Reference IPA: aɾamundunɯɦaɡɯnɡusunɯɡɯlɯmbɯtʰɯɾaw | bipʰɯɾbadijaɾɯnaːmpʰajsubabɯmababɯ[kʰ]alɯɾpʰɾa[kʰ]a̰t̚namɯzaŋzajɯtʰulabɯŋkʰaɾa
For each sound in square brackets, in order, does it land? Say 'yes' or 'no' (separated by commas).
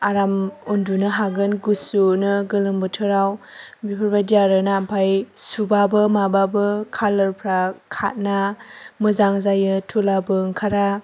yes, yes